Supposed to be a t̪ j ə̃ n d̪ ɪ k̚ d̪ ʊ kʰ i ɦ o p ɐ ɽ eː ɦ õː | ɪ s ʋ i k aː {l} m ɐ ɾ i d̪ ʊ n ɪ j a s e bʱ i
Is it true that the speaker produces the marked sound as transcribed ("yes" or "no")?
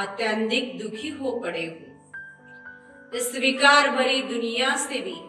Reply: no